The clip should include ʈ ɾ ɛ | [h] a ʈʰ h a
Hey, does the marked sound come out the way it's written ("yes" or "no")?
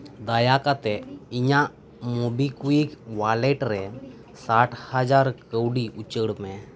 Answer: no